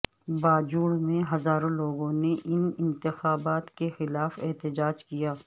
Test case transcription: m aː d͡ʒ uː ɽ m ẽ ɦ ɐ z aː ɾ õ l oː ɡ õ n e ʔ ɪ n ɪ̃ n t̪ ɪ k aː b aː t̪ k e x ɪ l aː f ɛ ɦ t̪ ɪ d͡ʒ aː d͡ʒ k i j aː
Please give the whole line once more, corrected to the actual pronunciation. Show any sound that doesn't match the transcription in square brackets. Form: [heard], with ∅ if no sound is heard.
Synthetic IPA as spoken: [b] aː d͡ʒ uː ɽ m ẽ ɦ ɐ z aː ɾ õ l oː ɡ õ n e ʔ ɪ n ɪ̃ n t̪ ɪ [x] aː b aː t̪ k e x ɪ l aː f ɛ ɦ t̪ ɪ d͡ʒ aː d͡ʒ k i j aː